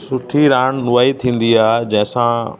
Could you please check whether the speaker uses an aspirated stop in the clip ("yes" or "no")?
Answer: yes